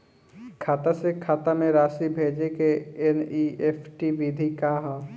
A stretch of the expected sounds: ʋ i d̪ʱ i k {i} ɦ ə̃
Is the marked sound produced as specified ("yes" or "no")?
no